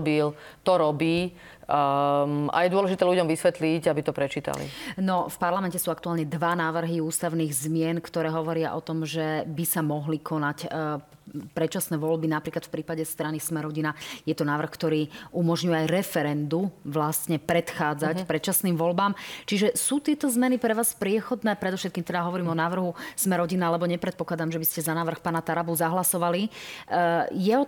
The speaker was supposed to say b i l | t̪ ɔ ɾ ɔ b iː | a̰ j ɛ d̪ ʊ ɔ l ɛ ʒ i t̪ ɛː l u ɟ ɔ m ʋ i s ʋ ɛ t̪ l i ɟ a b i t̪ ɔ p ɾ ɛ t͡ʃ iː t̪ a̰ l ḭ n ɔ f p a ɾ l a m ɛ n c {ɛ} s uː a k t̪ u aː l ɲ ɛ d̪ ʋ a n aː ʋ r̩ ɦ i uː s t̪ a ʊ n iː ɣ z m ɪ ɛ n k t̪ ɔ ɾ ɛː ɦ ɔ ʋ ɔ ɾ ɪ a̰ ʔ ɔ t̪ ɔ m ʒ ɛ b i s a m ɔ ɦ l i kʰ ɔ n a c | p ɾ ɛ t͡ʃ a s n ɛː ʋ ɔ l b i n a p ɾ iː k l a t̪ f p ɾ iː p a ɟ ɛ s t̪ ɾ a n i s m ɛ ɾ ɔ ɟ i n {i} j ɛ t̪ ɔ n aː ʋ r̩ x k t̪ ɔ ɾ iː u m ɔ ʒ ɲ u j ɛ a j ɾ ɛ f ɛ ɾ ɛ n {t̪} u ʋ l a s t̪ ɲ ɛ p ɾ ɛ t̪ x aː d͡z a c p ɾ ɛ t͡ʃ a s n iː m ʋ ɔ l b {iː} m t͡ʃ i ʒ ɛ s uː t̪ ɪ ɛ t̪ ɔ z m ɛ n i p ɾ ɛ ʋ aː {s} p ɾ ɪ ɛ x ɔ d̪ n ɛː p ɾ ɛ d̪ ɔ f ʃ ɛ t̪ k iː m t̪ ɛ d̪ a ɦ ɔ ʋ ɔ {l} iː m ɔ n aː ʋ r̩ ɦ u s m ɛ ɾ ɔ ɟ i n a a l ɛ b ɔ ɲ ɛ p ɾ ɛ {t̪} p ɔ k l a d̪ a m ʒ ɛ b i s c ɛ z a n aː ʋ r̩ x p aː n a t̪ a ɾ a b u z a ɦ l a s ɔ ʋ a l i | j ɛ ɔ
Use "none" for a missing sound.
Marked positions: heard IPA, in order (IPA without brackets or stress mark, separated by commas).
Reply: ɛ, a, d̪, aː, s, ɾ, t̪